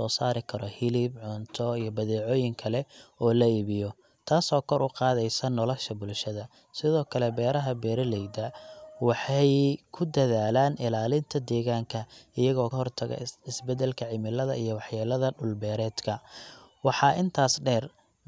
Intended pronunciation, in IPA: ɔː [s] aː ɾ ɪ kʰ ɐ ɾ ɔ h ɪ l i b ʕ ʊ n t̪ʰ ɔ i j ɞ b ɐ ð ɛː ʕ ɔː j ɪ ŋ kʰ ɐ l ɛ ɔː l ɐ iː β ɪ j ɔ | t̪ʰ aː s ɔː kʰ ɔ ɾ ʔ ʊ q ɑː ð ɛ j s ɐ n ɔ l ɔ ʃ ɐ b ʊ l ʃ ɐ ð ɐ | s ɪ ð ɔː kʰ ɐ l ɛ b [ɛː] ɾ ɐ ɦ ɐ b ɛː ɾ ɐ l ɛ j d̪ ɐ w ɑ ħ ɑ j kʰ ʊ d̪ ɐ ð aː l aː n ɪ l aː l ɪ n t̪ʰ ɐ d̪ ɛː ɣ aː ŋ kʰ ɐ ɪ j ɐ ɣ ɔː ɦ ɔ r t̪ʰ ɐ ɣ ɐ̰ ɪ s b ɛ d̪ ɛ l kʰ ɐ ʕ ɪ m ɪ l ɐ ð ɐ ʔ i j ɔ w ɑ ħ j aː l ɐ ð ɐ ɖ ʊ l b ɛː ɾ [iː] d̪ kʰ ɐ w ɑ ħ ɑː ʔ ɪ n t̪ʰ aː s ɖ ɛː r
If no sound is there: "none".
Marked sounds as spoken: s, ɛː, ɛː

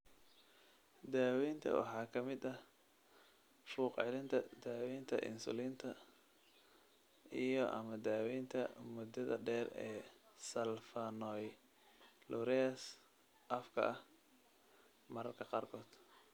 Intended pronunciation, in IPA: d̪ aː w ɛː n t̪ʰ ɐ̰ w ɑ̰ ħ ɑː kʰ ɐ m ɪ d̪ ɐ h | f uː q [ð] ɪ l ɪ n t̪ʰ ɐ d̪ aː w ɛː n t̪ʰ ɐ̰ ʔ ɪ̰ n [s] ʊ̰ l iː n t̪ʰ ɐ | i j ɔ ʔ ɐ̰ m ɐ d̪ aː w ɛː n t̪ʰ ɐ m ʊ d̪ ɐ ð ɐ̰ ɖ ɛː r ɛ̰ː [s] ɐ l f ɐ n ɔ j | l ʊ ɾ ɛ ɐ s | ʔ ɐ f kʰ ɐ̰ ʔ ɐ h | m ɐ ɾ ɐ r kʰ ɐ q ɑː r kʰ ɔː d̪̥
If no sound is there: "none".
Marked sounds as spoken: ʕ, s, s

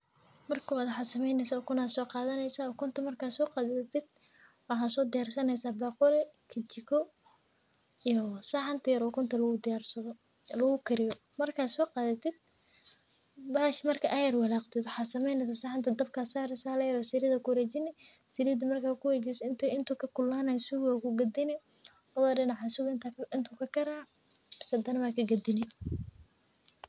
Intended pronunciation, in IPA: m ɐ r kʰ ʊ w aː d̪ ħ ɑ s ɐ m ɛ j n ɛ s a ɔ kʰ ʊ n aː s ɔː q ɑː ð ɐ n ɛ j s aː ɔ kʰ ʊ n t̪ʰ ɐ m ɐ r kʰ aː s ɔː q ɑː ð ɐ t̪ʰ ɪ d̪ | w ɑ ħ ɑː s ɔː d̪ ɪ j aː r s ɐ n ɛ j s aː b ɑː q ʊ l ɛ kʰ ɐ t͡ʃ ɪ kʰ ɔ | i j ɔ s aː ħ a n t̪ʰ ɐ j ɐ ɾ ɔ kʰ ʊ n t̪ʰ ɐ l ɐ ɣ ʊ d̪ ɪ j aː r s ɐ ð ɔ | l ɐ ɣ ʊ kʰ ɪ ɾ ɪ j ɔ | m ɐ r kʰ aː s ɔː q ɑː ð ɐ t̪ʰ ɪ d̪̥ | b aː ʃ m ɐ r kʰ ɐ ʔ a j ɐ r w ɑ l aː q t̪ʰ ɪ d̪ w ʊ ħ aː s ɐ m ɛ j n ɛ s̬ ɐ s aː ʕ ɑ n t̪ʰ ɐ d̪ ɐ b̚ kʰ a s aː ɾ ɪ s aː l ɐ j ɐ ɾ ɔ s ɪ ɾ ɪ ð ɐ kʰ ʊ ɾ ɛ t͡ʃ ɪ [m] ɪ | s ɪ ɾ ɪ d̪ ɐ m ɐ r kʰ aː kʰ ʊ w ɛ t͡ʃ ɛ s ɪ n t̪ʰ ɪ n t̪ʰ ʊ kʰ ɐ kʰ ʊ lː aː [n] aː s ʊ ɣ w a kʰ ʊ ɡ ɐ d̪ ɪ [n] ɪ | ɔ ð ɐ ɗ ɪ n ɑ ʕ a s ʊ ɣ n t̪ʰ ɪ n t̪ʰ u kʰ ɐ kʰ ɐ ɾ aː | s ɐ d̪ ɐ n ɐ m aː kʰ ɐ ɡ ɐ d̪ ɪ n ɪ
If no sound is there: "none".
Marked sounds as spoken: n, n, n

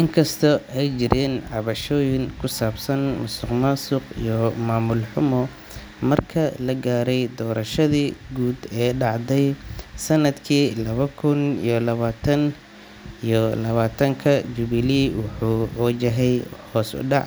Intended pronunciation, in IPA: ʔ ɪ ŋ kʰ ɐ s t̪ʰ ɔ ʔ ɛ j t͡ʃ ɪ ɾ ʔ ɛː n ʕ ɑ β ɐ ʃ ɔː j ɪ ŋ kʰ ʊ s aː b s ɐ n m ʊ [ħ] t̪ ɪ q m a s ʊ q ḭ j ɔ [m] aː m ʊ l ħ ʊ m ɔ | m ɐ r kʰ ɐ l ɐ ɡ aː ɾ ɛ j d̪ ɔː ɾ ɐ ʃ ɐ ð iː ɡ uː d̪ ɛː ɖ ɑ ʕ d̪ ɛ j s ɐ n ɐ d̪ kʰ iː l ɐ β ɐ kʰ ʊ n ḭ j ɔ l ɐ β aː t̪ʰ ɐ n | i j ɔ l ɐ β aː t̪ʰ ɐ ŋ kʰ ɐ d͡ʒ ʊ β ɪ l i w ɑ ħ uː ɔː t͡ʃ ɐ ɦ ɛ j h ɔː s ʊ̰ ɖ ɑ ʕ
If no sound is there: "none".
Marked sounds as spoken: s, m

